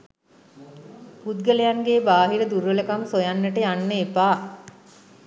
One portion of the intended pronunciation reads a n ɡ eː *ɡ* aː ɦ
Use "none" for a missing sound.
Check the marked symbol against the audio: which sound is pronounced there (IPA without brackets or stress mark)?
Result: b